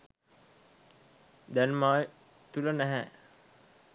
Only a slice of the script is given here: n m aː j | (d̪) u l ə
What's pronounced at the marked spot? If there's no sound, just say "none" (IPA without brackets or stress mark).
t̪